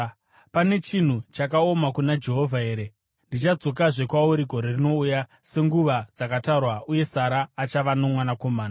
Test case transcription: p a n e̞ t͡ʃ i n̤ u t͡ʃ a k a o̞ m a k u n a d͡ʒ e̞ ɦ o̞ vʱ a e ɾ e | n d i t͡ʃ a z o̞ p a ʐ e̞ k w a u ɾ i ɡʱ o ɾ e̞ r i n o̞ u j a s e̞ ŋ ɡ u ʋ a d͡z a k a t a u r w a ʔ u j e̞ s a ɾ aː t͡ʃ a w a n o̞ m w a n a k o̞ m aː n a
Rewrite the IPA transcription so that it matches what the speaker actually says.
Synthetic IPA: p a n e̞ t͡ʃ i n̤ u t͡ʃ a k a o̞ m a k u n a d͡ʒ e̞ ɦ o̞ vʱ a e ɾ e | n d i t͡ʃ a d͡z o̞ k a ʐ e̞ k w a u ɾ i ɡʱ o ɾ e̞ r i n o̞ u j a s e̞ ŋ ɡ u ʋ a d͡z a k a t a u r w a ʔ u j e̞ s a ɾ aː t͡ʃ a ʋ a n o̞ m w a n a k o̞ m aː n a